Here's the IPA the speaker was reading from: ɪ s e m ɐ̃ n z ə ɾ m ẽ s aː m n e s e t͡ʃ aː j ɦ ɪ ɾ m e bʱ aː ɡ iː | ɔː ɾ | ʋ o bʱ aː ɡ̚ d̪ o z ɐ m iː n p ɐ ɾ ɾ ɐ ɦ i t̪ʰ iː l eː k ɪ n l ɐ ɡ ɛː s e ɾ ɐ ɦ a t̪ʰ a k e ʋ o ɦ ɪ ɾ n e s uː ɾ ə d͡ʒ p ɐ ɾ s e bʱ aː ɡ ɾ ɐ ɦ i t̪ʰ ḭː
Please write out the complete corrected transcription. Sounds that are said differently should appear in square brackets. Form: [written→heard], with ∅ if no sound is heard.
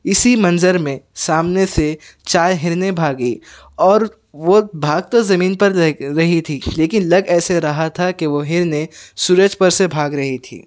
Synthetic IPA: ɪ s [e→i] m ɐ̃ n z ə ɾ m ẽ s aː m n e s e t͡ʃ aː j ɦ ɪ ɾ [m→n] e bʱ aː ɡ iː | ɔː ɾ | ʋ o bʱ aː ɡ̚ [d̪→t̪] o z ɐ m iː n p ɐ ɾ ɾ ɐ ɦ i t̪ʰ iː l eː k ɪ n l ɐ ɡ ɛː s e ɾ ɐ ɦ a t̪ʰ a k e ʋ o ɦ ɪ ɾ n e s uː ɾ ə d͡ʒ p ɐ ɾ s e bʱ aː ɡ ɾ ɐ ɦ i t̪ʰ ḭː